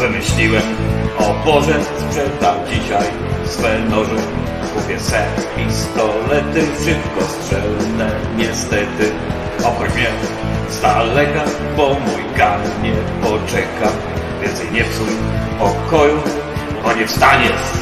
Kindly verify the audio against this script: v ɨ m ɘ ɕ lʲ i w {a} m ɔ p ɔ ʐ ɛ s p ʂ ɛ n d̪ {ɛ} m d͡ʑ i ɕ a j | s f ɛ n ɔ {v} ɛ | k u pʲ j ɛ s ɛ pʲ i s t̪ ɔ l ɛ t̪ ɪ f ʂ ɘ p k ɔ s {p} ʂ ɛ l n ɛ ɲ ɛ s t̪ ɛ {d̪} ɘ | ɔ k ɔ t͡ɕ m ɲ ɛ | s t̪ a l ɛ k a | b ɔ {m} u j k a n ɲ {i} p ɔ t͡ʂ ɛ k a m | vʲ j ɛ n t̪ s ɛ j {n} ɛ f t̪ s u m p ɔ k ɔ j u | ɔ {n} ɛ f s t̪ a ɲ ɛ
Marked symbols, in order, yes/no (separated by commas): no, no, no, no, no, yes, no, no, no